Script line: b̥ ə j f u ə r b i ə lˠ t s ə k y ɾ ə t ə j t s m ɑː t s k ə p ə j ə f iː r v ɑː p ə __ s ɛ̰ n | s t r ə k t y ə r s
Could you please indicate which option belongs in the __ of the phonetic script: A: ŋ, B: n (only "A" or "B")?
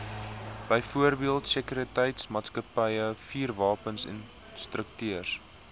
B